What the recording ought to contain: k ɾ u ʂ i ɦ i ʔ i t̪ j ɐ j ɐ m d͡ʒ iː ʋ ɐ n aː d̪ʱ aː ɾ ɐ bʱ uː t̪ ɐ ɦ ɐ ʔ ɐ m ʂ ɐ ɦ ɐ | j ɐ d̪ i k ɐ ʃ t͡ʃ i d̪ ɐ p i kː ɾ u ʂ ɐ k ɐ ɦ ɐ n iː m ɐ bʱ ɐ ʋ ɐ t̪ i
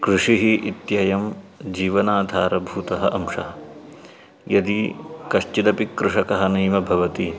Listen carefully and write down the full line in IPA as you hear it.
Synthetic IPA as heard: k ɾ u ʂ i ɦ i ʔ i t̪ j ɐ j ɐ m d͡ʒ iː ʋ ɐ n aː d̪ʱ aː ɾ ɐ bʱ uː t̪ ɐ ɦ ɐ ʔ ɐ m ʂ ɐ ɦ ɐ | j ɐ d̪ i k ɐ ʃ t͡ʃ i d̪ ɐ p i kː ɾ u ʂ ɐ k ɐ ɦ ɐ n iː m ɐ bʱ ɐ ʋ ɐ t̪ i

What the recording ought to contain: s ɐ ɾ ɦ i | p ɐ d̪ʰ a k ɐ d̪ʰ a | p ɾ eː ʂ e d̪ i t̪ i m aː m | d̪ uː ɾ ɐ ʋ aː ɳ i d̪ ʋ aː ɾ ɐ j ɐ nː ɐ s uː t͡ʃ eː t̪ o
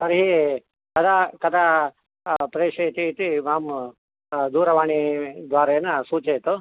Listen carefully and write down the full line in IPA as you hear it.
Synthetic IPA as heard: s ɐ ɾ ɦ i | k ɐ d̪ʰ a k ɐ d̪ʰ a | p ɾ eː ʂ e t̪ i t̪ i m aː m | d̪ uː ɾ ɐ ʋ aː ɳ i d̪ ʋ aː ɾ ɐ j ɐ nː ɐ s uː t͡ʃ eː t̪ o

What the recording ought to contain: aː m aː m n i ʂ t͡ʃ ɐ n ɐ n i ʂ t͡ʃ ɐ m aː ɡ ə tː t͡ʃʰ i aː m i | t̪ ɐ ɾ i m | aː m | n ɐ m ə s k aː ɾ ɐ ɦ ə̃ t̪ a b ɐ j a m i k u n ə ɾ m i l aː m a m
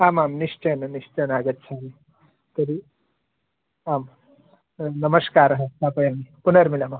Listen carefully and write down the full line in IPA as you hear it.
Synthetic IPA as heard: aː m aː m n i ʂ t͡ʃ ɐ n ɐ n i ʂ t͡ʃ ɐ n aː ɡ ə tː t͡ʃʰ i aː m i | t̪ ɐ ɾ i | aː m | n ɐ m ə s k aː ɾ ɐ ɦ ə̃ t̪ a p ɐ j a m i p u n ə ɾ m i l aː m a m

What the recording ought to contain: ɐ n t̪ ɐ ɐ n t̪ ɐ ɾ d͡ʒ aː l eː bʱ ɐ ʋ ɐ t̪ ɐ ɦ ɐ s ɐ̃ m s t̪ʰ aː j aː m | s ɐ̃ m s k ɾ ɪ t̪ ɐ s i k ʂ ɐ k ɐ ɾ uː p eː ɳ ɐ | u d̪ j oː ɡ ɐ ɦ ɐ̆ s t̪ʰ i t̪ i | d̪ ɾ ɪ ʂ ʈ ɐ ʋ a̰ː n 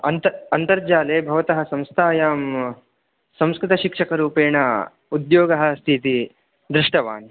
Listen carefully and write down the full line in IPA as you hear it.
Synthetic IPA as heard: ɐ n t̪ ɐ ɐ n t̪ ɐ ɾ d͡ʒ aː l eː bʱ ɐ ʋ ɐ t̪ ɐ ɦ ɐ s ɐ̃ m s t̪ʰ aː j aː m | s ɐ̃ m s k ɾ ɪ t̪ ɐ ʃ i k ʂ ɐ k ɐ ɾ uː p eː ɳ ɐ | u d̪ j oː ɡ ɐ ɦ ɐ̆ s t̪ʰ i t̪ i | d̪ ɾ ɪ ʂ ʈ ɐ ʋ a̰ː n

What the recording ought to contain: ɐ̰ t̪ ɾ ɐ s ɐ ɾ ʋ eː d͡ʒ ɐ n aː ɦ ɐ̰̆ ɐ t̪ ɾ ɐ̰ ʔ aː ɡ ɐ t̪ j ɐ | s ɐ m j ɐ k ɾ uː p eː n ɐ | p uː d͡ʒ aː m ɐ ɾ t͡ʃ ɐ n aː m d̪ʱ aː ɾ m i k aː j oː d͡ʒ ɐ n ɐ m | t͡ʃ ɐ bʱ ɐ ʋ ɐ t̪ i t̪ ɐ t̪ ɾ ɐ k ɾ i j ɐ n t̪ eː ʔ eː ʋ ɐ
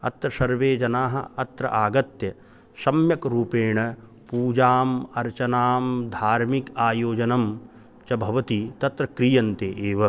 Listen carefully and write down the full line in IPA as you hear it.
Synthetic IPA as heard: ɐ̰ t̪ ɾ ɐ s ɐ ɾ ʋ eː d͡ʒ ɐ n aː ɦ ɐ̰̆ ɐ t̪ ɾ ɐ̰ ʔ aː ɡ ɐ t̪ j ɐ | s ɐ m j ɐ k ɾ uː p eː ɳ ɐ | p uː d͡ʒ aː m ɐ ɾ t͡ʃ ɐ n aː m d̪ʱ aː ɾ m i k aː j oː d͡ʒ ɐ n ɐ m | t͡ʃ ɐ bʱ ɐ ʋ ɐ t̪ i t̪ ɐ t̪ ɾ ɐ k ɾ i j ɐ n t̪ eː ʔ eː ʋ ɐ

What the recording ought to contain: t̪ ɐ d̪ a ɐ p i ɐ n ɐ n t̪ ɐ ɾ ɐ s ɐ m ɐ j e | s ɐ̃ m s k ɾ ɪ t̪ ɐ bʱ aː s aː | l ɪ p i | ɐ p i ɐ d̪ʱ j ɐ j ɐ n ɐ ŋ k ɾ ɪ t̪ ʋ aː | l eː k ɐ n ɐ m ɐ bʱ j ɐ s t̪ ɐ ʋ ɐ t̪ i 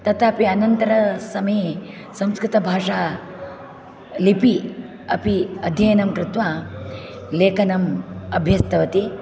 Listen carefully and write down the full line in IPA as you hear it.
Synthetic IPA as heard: t̪ ɐ t̪ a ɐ p i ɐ n ɐ n t̪ ɐ ɾ ɐ s ɐ m ɐ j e | s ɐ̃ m s k ɾ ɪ t̪ ɐ bʱ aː ʂ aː | l i p i | ɐ p i ɐ d̪ʱ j ɐ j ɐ n ɐ m k ɾ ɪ t̪ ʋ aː | l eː k ɐ n ɐ m ɐ bʱ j ɐ s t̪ ɐ ʋ ɐ t̪ i

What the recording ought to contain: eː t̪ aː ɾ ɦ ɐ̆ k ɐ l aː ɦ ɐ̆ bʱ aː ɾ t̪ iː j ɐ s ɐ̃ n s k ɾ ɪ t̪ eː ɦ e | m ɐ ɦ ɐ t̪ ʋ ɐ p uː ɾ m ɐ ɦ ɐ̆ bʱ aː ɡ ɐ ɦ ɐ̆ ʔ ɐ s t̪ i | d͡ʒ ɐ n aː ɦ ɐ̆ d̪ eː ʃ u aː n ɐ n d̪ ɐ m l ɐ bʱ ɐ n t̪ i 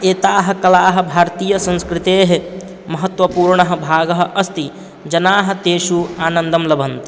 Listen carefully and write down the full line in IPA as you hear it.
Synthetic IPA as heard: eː t̪ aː ɦ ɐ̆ k ɐ l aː ɦ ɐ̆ bʱ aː ɾ t̪ iː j ɐ s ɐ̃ n s k ɾ ɪ t̪ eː ɦ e | m ɐ ɦ ɐ t̪ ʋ ɐ p uː ɾ ɳ ɐ ɦ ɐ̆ bʱ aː ɡ ɐ ɦ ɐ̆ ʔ ɐ s t̪ i | d͡ʒ ɐ n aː ɦ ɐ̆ t̪ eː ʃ u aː n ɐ n d̪ ɐ m l ɐ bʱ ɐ n t̪ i

